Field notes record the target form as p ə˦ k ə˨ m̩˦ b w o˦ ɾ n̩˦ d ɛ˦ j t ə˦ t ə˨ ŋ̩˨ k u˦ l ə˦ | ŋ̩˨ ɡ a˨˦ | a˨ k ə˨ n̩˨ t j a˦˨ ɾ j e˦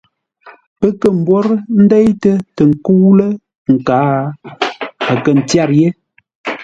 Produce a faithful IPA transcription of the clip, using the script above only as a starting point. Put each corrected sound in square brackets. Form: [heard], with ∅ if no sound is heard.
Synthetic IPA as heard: p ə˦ k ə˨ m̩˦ b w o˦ ɾ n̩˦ d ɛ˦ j t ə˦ t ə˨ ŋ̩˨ k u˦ l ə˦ | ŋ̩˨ [k] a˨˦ | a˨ k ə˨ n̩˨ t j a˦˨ ɾ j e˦

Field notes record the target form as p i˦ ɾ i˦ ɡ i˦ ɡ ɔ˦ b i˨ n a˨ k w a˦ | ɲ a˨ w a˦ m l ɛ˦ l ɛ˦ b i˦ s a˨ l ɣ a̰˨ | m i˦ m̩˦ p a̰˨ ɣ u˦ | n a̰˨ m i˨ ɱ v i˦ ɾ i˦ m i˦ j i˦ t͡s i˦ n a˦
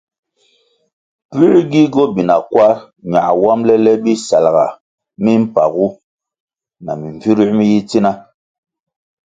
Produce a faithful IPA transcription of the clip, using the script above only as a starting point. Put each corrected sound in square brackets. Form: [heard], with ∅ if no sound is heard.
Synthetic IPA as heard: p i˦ ɾ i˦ ɡ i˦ ɡ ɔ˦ b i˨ n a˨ k w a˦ | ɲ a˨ w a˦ m l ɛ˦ l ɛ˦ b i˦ s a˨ l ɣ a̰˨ | m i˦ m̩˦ p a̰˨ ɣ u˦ | n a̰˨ m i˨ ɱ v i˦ ɾ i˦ m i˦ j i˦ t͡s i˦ n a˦

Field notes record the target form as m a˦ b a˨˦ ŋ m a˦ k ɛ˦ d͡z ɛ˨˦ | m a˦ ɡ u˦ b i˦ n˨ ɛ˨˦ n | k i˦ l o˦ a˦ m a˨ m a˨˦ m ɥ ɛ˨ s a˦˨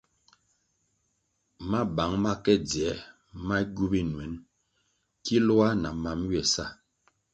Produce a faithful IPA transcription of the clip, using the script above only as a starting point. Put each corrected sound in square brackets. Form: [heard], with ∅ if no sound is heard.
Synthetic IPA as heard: m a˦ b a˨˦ ŋ m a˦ k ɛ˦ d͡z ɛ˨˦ | m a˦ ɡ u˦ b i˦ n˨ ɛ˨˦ n | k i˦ l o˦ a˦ [n] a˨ m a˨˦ m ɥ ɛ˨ s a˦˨

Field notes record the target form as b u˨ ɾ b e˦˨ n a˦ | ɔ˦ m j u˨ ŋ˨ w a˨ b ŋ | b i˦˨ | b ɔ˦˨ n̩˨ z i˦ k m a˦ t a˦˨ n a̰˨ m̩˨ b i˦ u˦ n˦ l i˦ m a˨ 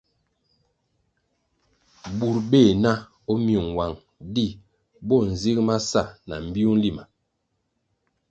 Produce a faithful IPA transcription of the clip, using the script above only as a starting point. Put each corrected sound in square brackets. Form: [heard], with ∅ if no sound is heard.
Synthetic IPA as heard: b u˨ ɾ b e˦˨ n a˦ | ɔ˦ m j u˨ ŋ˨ w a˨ [∅] ŋ | [d] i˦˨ | b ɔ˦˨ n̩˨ z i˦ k m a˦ [s] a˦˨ n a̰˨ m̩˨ b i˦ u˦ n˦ l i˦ m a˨

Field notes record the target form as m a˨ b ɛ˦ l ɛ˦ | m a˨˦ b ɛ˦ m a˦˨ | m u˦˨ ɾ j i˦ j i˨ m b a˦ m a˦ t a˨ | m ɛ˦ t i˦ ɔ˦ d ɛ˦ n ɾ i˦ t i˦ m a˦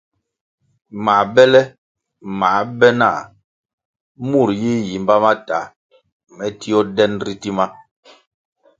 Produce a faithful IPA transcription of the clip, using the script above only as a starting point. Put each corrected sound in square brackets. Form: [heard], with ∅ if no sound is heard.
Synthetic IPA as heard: m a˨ b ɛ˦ l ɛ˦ | m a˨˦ b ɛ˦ [n] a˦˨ | m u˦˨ ɾ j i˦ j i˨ m b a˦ m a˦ t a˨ | m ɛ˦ t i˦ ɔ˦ d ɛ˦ n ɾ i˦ t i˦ m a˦

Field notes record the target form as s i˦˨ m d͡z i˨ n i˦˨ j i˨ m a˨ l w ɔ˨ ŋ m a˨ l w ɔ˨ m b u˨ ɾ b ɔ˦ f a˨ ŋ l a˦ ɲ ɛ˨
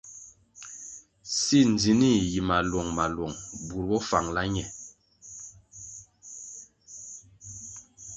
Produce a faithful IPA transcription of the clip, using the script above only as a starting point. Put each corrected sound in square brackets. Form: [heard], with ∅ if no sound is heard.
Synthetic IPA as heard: s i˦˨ [n] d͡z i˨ n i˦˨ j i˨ m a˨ l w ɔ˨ ŋ m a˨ l w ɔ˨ [ŋ] b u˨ ɾ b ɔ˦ f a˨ ŋ l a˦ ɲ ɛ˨

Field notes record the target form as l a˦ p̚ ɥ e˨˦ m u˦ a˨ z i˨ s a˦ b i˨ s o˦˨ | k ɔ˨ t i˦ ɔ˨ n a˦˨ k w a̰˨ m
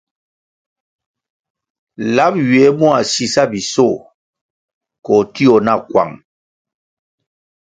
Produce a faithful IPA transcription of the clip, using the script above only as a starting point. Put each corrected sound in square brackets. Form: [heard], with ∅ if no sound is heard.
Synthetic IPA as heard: l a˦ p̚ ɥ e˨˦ m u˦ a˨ [s] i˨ s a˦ b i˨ s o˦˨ | k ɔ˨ t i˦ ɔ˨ n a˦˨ k w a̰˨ [ŋ]

